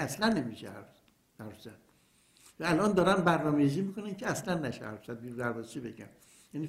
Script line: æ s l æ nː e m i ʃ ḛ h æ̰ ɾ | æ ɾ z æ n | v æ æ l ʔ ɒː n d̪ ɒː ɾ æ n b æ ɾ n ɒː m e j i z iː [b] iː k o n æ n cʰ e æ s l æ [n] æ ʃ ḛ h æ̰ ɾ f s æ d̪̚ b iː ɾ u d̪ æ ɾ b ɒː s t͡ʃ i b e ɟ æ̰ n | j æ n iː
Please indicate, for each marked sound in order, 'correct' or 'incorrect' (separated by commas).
incorrect, incorrect